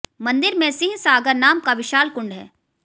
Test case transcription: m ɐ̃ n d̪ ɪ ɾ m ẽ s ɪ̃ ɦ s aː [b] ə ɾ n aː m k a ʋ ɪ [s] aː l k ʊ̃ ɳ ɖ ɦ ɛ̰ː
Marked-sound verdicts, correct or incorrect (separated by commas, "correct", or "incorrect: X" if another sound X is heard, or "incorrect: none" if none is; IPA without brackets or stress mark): incorrect: ɡ, incorrect: ʃ